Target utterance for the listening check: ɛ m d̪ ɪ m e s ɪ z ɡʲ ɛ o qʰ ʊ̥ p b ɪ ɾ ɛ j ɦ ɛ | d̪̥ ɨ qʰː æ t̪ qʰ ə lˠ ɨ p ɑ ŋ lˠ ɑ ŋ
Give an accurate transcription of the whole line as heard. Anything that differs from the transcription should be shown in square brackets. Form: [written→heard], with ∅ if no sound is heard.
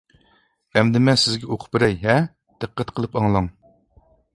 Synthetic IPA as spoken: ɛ m d̪ ɪ m [e→ɛ] s ɪ z ɡʲ ɛ o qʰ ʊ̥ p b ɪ ɾ ɛ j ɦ ɛ | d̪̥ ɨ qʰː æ t̪ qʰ ə lˠ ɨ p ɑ ŋ lˠ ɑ ŋ